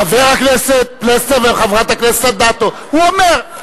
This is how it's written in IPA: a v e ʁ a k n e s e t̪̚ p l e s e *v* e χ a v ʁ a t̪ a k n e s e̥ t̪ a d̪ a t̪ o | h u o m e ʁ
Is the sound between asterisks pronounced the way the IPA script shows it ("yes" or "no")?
yes